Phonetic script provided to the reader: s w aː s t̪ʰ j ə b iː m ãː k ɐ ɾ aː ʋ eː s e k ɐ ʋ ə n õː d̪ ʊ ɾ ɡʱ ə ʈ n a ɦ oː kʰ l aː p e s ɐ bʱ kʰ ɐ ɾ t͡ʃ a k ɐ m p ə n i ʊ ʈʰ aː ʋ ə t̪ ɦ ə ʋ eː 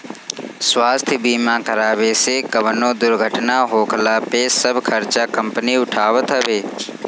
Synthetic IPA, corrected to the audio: s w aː s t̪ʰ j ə b iː m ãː k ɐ ɾ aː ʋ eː s e k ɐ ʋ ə n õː d̪ ʊ ɾ ɡʱ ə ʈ n a ɦ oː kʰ l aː p e s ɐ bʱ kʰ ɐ ɾ t͡ʃ a k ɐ m p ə n i ʊ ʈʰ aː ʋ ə t̪ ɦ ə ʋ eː